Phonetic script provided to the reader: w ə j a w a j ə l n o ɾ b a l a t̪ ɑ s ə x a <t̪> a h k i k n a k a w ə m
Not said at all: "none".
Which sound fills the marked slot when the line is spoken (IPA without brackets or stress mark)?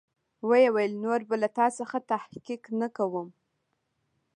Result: t̪